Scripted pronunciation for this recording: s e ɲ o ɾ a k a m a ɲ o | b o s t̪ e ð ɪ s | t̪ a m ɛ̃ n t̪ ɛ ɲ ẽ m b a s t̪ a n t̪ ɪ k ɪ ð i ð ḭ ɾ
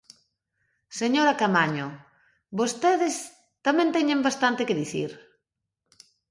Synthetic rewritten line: s e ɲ o ɾ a k a m a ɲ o | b o s t̪ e ð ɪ s | t̪ a m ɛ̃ n t̪ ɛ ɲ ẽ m b a s t̪ a n t̪ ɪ k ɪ ð i θ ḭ ɾ

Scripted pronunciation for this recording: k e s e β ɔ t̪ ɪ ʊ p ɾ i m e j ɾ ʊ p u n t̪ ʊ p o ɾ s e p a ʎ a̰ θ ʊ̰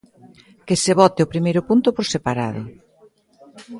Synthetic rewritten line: k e s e β ɔ t̪ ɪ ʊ p ɾ i m e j ɾ ʊ p u n t̪ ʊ p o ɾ s e p a ɾ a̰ ð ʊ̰

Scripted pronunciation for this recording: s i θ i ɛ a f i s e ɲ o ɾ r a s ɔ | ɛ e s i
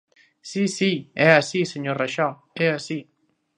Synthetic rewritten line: s i s i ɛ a s i s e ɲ o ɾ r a ʃ ɔ | ɛ a s i

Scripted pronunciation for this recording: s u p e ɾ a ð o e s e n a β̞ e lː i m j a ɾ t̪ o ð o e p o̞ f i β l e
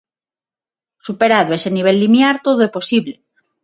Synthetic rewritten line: s u p e ɾ a ð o e s e n i β̞ e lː i m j a ɾ t̪ o ð o e p o̞ s i β l e

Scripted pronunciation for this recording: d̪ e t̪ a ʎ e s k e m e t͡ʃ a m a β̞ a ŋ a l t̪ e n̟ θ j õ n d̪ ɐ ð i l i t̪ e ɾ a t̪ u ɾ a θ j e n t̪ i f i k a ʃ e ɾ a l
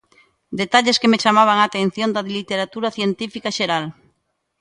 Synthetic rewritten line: d̪ e t̪ a ʎ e s k e m e t͡ʃ a m a β̞ a ŋ a t̪ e n̟ θ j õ n d̪ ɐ ð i l i t̪ e ɾ a t̪ u ɾ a θ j e n t̪ i f i k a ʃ e ɾ a l

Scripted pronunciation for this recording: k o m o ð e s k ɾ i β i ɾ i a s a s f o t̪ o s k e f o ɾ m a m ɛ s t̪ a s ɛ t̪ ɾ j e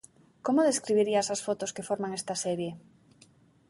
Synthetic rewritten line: k o m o ð e s k ɾ i β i ɾ i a s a s f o t̪ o s k e f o ɾ m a ŋ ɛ s t̪ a s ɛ ɾ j e

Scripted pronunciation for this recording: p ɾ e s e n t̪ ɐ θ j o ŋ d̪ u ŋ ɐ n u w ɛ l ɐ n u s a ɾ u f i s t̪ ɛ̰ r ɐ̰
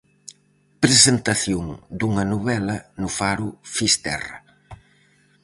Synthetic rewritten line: p ɾ e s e n t̪ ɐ θ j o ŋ d̪ u ŋ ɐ n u β ɛ l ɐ n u f a ɾ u f i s t̪ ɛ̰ r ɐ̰

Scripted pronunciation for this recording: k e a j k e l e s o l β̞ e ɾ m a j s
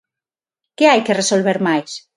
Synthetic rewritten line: k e a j k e r e s o l β̞ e ɾ m a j s

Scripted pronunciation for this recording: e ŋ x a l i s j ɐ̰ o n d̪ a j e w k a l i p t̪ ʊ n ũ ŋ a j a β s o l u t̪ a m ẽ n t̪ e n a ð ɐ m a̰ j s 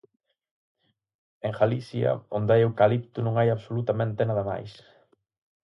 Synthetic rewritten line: e ŋ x a l i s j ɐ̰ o n d̪ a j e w k a l i p t̪ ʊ n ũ ŋ a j a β s o l u t̪ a m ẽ n t̪ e n a ð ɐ m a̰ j s

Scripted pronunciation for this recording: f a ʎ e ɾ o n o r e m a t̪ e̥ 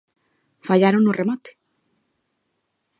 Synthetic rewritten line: f a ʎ a ɾ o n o r e m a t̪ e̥

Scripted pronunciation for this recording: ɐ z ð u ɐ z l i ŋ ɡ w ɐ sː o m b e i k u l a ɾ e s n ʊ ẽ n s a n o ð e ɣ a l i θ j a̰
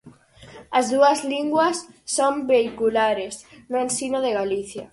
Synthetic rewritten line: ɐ z ð u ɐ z l i ŋ ɡ w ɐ sː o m b e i k u l a ɾ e s n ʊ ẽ n s i n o ð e ɣ a l i θ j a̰

